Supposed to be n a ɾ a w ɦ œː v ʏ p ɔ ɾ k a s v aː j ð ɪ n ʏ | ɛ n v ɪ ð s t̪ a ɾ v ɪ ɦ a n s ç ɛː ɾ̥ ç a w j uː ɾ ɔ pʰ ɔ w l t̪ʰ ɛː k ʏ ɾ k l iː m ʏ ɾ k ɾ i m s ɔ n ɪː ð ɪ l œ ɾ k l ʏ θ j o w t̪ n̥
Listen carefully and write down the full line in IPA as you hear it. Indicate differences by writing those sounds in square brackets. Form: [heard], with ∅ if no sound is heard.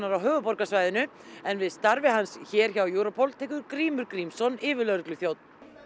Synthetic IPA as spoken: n a ɾ a w ɦ œː [ɣ] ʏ p ɔ ɾ k a s v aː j ð ɪ n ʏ | ɛ n v ɪ ð s t̪ a ɾ v ɪ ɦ a n s ç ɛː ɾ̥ ç a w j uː ɾ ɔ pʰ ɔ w l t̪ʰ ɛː k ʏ ɾ k [ɾ] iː m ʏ ɾ k ɾ i m s ɔ n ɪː [v] ɪ l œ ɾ k l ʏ θ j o w t̪ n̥